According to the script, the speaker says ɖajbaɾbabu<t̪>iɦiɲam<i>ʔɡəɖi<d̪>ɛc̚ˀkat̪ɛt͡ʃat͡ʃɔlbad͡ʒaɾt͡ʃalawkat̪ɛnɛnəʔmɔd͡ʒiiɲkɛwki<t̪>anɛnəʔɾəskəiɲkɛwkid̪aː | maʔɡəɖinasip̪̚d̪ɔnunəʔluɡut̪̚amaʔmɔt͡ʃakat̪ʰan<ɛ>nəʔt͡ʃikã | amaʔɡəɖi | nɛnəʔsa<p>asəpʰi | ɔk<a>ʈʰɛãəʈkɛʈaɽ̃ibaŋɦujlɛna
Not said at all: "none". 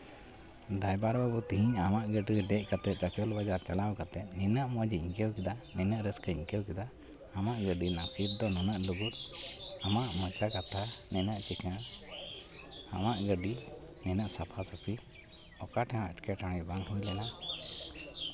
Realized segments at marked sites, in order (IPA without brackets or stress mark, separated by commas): t̪, a, d̪, d̪, ɛ, pʰ, a